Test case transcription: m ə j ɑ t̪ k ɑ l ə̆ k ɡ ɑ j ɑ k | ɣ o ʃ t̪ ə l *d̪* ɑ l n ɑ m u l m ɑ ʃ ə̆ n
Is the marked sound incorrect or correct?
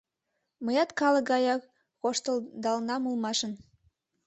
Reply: correct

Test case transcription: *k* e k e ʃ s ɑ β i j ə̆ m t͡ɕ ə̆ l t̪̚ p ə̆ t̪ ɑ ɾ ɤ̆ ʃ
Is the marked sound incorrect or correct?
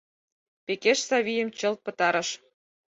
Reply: incorrect: p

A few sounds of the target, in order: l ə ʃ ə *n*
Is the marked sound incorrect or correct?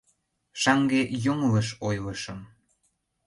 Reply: incorrect: m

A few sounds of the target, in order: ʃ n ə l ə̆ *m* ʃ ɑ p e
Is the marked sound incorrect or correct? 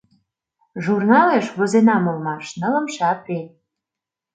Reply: correct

